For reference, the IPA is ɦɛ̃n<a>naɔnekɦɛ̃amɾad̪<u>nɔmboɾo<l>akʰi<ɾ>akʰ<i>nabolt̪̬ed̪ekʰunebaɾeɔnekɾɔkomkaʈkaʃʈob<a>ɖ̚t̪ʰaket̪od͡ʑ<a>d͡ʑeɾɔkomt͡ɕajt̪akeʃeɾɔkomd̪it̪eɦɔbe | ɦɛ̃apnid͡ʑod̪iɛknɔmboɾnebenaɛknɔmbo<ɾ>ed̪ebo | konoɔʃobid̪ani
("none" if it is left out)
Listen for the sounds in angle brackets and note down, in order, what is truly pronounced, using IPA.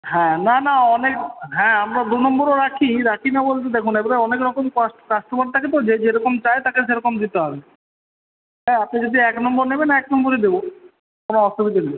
a, u, ɾ, ɾ, i, a, e, ɾ

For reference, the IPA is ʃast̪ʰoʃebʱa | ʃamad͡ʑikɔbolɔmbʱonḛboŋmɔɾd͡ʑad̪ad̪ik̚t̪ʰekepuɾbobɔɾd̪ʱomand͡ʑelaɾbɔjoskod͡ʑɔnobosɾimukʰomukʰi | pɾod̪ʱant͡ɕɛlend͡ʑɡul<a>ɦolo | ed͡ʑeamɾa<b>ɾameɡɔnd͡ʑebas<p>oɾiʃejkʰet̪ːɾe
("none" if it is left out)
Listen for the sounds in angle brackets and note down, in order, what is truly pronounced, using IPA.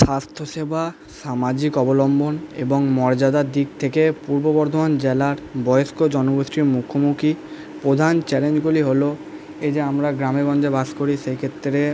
i, ɡ, k

